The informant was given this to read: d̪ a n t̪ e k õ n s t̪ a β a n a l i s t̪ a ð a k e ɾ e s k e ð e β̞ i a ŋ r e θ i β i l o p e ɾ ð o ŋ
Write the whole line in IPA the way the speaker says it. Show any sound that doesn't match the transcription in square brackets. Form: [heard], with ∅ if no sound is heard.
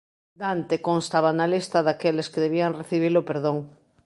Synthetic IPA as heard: d̪ a n t̪ e k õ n s t̪ a β a n a l i s t̪ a ð a k e [l] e s k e ð e β̞ i a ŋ r e θ i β i l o p e ɾ ð o ŋ